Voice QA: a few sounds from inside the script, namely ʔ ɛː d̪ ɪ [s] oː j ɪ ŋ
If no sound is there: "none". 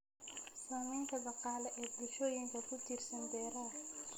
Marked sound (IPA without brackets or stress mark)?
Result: ʃ